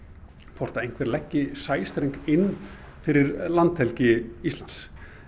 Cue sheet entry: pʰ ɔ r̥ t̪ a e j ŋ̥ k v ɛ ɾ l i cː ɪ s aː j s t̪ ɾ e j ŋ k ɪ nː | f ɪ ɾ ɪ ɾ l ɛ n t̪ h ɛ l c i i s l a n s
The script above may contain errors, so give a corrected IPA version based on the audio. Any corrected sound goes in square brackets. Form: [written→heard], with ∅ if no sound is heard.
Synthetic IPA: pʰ ɔ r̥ t̪ a e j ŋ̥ k v ɛ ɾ l [i→ɛ] cː ɪ s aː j s t̪ ɾ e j ŋ k ɪ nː | f ɪ ɾ ɪ ɾ l [ɛ→a] n t̪ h ɛ l c [i→ɪ] i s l a n s

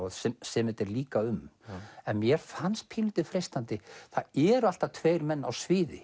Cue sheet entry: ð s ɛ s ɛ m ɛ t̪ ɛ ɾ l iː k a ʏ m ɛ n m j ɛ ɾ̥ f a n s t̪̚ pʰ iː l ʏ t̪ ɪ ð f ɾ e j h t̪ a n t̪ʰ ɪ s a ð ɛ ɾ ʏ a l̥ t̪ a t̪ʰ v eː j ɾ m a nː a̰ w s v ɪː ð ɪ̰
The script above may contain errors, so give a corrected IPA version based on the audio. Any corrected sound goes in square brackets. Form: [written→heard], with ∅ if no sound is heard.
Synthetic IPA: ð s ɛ s ɛ m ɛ t̪ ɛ ɾ l iː k a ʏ m ɛ n m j ɛ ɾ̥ f a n s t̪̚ pʰ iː l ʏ t̪ ɪ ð f ɾ e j [h→s] t̪ a n [t̪ʰ→t̪] ɪ [s→θ] a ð ɛ ɾ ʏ a l̥ t̪ a t̪ʰ v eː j ɾ m [a→ɛ] nː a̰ w s v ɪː ð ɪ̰

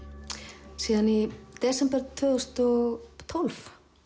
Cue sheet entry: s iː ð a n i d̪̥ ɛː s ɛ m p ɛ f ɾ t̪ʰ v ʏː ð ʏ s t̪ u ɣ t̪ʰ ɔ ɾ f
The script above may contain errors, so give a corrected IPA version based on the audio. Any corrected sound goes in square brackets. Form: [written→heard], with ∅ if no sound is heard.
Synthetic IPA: s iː ð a n i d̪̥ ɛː s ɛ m p ɛ [f→∅] ɾ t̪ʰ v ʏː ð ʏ s t̪ [u→ɔ] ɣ t̪ʰ ɔ [ɾ→l] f

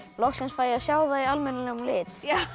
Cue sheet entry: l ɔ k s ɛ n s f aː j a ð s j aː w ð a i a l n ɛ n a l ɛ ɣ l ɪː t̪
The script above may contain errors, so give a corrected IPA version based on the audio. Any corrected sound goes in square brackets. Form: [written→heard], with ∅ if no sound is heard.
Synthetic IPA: l ɔ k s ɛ n s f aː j a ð s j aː w ð a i a l [n→m] ɛ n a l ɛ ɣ l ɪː t̪

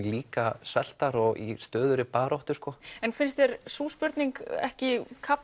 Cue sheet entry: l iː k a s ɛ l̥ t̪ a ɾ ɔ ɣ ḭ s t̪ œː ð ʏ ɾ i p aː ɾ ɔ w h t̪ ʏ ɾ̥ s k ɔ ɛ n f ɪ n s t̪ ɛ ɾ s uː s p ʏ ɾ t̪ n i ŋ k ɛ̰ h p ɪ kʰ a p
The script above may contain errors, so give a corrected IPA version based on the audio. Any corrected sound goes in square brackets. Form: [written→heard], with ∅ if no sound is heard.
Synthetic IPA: l iː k a s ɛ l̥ t̪ a ɾ ɔ ɣ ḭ s t̪ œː ð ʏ ɾ [i→ɪ] p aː ɾ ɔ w h t̪ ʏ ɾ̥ s k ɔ ɛ n f ɪ n s t̪ ɛ ɾ s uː s p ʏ ɾ t̪ n i ŋ k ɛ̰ h [p→c] ɪ kʰ a p

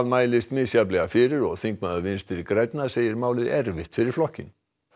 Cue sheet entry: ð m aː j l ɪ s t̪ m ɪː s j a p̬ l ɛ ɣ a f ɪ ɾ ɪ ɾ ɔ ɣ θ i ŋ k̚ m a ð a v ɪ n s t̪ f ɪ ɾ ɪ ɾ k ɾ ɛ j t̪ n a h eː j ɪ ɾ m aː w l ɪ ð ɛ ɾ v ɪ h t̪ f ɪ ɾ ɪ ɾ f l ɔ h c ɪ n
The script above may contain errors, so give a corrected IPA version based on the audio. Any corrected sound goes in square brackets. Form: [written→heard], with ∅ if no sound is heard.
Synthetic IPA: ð m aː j l ɪ s t̪ m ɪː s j a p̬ l ɛ ɣ a f ɪ ɾ ɪ ɾ ɔ ɣ θ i ŋ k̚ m a ð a v ɪ n s t̪ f ɪ ɾ ɪ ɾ k ɾ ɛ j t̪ n a [h→s] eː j ɪ ɾ m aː w l ɪ ð ɛ ɾ v ɪ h t̪ f ɪ ɾ ɪ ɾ f l ɔ h c ɪ n

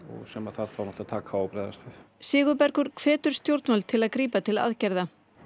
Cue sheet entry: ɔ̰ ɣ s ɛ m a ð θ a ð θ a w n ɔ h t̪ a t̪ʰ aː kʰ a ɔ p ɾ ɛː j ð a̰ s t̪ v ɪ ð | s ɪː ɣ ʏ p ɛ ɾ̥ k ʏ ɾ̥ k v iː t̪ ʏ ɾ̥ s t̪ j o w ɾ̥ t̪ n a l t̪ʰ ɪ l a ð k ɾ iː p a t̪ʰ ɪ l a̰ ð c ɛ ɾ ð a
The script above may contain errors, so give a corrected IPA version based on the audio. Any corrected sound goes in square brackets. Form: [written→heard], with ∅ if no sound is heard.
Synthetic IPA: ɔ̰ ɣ s ɛ m a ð θ a ð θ a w n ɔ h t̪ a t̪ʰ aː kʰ a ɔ p ɾ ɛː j ð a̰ s t̪ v ɪ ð | s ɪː ɣ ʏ p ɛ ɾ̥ k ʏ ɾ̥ [k→kʰ] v [iː→ɛː] t̪ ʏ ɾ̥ s t̪ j o w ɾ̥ t̪ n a l t̪ʰ ɪ l a ð k ɾ iː p a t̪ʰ ɪ l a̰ ð c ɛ ɾ ð a

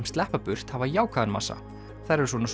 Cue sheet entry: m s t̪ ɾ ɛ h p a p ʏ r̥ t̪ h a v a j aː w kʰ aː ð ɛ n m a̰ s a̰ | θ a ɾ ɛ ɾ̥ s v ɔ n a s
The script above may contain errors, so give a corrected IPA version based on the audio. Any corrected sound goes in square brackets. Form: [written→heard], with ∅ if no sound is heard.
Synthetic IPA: m s t̪ [ɾ→l] ɛ h p a p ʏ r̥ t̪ h a v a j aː w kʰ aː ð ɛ n m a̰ s a̰ | θ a ɾ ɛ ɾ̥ s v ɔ n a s

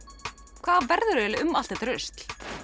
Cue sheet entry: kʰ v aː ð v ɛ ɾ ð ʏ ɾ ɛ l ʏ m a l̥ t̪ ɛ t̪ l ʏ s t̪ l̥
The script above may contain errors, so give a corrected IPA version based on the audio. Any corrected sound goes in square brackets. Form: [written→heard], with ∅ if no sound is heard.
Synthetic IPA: kʰ v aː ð v ɛ ɾ ð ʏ ɾ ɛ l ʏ m a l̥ t̪ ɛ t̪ [l→ɾ] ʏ s t̪ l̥

